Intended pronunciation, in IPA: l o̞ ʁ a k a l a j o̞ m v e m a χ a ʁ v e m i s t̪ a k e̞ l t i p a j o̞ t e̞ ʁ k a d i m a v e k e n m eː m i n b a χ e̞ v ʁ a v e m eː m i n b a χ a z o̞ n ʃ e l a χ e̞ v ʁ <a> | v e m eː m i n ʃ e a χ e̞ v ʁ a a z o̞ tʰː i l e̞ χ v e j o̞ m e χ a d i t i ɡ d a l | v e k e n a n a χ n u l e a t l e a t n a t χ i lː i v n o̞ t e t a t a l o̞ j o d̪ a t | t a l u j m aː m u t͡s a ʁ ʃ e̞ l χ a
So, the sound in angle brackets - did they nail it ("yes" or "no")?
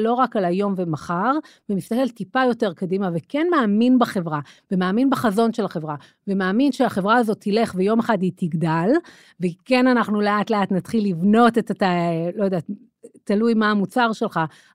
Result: yes